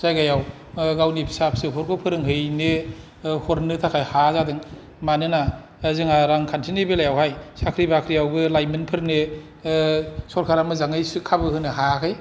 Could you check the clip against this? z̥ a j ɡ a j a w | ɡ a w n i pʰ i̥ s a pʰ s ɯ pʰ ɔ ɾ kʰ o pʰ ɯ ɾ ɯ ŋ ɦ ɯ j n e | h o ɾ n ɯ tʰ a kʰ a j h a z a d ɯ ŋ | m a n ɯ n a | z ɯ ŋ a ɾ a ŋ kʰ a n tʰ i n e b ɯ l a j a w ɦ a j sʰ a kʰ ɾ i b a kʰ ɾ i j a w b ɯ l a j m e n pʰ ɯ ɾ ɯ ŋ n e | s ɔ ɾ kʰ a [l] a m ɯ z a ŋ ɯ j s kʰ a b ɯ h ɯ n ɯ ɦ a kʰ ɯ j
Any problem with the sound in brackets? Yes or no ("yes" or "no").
yes